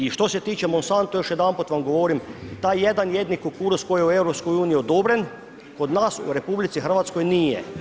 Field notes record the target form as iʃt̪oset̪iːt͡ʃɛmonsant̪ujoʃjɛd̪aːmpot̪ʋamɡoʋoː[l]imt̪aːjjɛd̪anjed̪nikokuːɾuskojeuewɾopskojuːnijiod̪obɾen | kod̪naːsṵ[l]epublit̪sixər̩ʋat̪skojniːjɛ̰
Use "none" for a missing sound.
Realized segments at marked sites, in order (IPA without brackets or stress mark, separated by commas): ɾ, ɾ